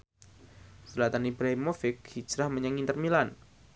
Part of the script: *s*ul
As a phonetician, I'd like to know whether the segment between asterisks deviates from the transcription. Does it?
no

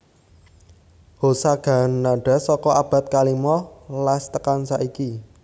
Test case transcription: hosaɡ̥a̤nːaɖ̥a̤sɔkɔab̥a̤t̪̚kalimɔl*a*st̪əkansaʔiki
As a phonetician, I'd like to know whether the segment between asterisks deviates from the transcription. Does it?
no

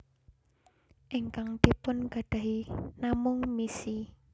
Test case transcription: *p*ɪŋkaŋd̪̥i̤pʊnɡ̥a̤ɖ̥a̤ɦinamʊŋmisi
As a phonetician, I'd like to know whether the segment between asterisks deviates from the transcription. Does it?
yes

